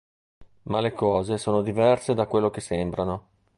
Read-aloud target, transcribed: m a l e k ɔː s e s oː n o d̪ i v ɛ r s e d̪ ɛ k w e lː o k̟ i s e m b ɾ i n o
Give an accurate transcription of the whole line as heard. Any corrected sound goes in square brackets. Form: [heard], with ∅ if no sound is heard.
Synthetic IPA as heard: m a l e k ɔː [z] e s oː n o d̪ i v ɛ r s e d̪ [a] k w e lː o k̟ [e] s e m b ɾ [a] n o